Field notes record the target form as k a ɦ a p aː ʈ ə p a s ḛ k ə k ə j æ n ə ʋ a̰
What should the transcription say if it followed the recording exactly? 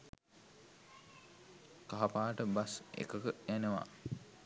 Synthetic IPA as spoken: k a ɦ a p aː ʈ ə b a s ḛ k ə k ə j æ n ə ʋ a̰